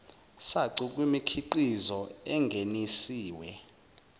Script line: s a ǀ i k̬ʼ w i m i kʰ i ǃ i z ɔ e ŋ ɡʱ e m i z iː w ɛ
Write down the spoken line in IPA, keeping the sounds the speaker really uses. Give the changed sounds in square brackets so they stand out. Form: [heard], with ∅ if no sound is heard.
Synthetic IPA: s a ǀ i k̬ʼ w i m i kʰ i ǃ i z ɔ [ɛ] ŋ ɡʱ e [n] i [s] iː w ɛ